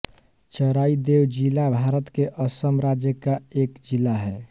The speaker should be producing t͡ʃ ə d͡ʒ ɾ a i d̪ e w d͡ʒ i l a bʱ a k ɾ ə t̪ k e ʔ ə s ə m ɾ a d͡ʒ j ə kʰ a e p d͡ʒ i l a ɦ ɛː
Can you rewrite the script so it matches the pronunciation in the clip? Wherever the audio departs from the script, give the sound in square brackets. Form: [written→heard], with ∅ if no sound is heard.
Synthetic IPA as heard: t͡ʃ ə [d͡ʒ→∅] ɾ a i d̪ e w d͡ʒ i l a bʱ a [k→∅] ɾ ə t̪ k e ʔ ə s ə m ɾ a d͡ʒ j ə [kʰ→k] a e [p→k] d͡ʒ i l a ɦ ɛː